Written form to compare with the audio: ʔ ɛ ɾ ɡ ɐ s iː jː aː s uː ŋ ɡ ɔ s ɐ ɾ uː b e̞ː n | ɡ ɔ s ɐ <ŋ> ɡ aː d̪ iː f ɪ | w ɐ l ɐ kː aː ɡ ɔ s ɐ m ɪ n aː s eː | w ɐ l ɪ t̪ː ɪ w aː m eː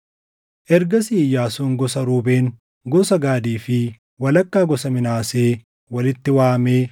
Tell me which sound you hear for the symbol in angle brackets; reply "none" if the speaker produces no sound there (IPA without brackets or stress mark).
none